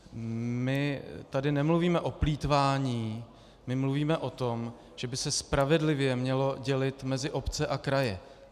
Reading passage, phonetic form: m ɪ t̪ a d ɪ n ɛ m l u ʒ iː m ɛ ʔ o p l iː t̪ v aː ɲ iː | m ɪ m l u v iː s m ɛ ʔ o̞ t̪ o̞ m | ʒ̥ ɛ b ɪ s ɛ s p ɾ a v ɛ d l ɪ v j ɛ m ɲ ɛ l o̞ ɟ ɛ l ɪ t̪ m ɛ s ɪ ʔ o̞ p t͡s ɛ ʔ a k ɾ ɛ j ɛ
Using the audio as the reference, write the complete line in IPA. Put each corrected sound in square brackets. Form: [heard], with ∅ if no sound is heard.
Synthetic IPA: m ɪ t̪ a d ɪ n ɛ m l u [v] iː m ɛ ʔ o p l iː t̪ v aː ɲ iː | m ɪ m l u v iː [∅] m ɛ ʔ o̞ t̪ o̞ m | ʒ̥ ɛ b ɪ s ɛ s p ɾ a v ɛ d l ɪ v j ɛ m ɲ ɛ l o̞ ɟ ɛ l ɪ t̪ m ɛ [z] ɪ ʔ o̞ p t͡s ɛ ʔ a k ɾ [a] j ɛ